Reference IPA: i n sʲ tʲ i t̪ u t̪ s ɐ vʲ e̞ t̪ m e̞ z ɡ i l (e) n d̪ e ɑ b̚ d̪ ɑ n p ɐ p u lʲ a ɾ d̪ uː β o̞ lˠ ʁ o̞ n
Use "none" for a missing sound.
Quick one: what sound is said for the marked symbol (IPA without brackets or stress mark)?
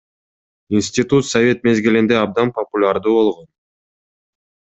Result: i